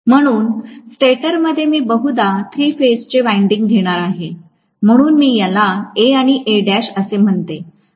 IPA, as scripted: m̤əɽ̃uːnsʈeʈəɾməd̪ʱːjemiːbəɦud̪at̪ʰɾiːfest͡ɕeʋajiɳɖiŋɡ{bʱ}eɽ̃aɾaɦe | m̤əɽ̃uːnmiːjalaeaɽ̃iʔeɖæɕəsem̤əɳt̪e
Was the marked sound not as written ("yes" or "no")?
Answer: yes